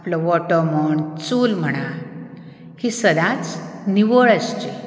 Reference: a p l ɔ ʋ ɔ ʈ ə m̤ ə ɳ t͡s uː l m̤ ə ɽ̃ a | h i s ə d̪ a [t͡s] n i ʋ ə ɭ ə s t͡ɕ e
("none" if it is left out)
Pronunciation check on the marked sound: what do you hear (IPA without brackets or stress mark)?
t͡s